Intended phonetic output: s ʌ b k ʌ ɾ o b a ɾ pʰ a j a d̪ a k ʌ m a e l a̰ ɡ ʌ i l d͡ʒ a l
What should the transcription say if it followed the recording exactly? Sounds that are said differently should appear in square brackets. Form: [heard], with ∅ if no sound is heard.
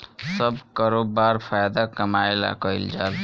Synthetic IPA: s ʌ b k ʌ ɾ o b a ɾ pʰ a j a d̪ a k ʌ m a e l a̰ [k] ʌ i l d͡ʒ a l